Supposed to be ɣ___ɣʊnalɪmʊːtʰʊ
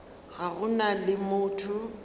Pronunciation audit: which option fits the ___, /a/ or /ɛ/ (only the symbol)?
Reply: a